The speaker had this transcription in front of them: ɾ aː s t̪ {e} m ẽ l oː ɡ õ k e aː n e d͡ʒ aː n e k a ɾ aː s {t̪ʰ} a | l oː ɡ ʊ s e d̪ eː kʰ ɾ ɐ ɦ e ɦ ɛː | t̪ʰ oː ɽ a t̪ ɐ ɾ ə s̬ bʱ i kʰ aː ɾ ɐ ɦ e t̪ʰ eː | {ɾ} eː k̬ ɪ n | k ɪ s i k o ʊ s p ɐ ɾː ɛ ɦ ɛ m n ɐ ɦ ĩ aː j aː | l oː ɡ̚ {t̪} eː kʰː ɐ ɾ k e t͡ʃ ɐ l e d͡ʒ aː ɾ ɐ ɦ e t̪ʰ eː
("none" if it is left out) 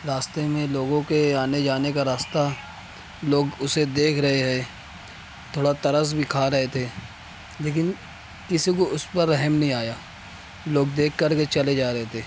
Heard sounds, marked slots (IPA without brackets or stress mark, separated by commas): e, t̪, l, d̪